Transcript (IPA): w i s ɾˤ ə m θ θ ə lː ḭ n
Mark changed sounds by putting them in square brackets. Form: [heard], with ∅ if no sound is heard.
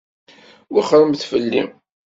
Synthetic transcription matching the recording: w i [χ] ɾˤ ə m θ [f] ə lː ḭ [m]